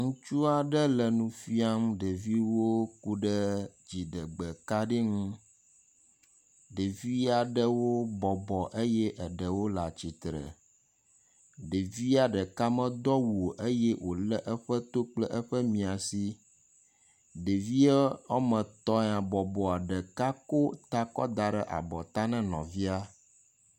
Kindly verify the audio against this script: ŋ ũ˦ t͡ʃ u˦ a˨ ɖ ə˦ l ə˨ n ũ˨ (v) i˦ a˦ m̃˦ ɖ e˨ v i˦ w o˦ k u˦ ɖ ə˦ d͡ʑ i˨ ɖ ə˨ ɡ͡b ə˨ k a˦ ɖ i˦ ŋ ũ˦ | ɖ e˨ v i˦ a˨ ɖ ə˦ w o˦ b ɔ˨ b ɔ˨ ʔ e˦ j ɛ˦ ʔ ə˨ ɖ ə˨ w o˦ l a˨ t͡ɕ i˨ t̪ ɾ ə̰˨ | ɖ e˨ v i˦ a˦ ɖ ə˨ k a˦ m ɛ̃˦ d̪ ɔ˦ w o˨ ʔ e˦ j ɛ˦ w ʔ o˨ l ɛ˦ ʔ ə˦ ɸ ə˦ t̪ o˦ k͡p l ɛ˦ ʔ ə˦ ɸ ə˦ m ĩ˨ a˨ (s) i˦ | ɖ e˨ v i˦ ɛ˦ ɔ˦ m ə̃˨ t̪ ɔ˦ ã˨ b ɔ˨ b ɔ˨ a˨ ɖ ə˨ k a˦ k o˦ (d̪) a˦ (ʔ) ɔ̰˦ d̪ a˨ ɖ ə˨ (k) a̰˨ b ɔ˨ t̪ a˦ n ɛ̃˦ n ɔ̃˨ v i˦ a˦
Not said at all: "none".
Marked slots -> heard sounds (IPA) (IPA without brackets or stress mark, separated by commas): f, s, t̪, k, ʔ